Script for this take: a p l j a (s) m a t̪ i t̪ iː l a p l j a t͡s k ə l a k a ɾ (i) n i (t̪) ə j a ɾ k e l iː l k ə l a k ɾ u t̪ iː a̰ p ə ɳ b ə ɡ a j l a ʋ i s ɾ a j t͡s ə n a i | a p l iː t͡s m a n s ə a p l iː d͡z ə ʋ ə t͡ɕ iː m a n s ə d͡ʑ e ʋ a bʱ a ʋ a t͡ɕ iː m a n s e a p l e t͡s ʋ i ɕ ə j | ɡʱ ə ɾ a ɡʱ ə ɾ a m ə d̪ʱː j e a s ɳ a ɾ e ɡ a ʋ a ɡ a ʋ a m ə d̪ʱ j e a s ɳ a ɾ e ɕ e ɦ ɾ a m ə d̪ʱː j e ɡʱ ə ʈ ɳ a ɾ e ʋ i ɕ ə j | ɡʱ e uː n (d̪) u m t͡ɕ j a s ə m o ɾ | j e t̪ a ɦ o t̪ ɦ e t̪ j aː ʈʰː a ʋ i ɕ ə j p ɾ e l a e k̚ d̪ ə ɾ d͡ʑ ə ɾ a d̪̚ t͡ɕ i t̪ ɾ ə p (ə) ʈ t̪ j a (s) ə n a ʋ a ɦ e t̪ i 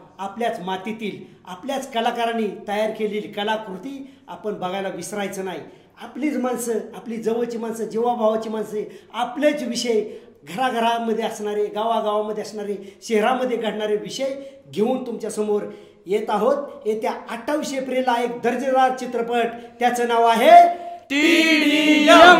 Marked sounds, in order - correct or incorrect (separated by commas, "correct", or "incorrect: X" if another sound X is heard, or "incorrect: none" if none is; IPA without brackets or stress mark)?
incorrect: t͡s, incorrect: a, correct, incorrect: t̪, correct, incorrect: t͡s